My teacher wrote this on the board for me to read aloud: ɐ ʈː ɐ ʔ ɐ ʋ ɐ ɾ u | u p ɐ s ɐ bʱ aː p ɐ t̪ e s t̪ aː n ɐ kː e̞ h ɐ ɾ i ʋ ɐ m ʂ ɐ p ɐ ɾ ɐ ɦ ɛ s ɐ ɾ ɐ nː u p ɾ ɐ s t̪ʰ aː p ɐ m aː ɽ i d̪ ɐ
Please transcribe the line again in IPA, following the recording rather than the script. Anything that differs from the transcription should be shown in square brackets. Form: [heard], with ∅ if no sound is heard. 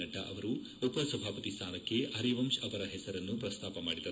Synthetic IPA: ɐ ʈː ɐ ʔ ɐ ʋ ɐ ɾ u | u p ɐ s ɐ bʱ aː p ɐ t̪ [i] s [t̪ʰ] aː n ɐ kː e̞ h ɐ ɾ i ʋ ɐ m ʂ ɐ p ɐ ɾ ɐ ɦ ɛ s ɐ ɾ ɐ nː u p ɾ ɐ s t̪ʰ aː p ɐ m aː ɽ i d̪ ɐ